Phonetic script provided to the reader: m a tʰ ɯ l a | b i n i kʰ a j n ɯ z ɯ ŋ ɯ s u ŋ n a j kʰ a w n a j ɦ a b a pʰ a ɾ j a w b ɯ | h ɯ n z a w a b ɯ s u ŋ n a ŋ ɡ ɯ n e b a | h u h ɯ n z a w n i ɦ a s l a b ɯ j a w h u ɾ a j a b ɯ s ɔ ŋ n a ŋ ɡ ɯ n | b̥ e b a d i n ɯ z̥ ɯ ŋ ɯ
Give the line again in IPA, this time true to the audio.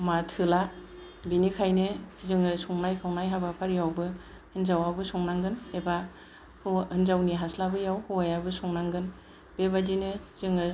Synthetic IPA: m a tʰ ɯ l a | b i n i kʰ a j n ɯ z ɯ ŋ ɯ s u ŋ n a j kʰ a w n a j ɦ a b a pʰ a ɾ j a w b ɯ | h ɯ n z a w a b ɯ s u ŋ n a ŋ ɡ ɯ n e b a | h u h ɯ n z a w n i ɦ a s l a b ɯ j a w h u a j a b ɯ s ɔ ŋ n a ŋ ɡ ɯ n | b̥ e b a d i n ɯ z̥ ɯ ŋ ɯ